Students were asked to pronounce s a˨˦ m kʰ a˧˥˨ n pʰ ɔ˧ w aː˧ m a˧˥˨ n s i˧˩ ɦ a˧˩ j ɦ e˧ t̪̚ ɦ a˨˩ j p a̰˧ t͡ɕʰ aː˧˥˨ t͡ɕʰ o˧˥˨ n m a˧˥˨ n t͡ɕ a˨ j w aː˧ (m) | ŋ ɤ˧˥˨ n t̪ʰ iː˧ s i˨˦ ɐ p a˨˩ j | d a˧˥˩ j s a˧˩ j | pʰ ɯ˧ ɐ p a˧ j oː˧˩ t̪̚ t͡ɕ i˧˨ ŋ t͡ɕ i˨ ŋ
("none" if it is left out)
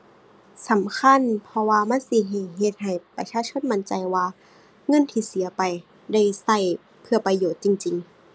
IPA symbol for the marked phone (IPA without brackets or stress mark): none